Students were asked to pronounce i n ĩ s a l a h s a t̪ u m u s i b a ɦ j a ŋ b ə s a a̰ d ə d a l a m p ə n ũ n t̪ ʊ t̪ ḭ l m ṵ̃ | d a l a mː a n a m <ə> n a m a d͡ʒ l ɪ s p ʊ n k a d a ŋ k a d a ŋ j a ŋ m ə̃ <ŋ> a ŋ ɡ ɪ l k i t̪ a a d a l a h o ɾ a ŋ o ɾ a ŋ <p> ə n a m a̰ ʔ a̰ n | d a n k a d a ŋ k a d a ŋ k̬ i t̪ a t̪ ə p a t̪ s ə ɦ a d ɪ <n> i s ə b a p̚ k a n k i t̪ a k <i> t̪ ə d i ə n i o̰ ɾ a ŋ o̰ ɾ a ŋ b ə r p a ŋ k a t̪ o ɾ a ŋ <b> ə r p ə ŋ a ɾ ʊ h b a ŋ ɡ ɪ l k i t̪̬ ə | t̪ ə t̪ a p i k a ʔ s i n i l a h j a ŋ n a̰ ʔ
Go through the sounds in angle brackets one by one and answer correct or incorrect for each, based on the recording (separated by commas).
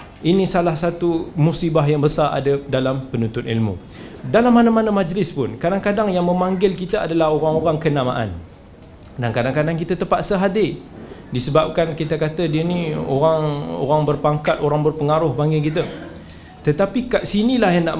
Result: incorrect, incorrect, incorrect, incorrect, incorrect, correct